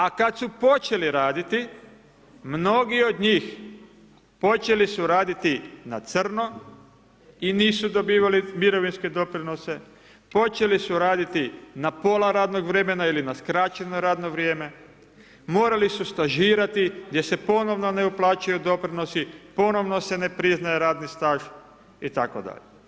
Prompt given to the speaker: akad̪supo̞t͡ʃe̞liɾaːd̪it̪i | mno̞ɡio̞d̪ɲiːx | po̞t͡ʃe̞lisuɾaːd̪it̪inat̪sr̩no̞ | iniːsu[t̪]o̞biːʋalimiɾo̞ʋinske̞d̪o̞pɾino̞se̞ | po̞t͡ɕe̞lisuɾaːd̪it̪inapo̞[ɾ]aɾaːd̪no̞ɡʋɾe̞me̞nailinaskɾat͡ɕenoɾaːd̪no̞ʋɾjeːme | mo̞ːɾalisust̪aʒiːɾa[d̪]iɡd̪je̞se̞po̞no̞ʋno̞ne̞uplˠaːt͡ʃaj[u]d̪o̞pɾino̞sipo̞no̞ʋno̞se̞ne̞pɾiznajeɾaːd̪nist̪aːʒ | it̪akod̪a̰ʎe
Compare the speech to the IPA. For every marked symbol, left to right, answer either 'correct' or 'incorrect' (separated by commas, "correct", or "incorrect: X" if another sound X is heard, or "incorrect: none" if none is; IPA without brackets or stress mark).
incorrect: d̪, incorrect: l, incorrect: t̪, correct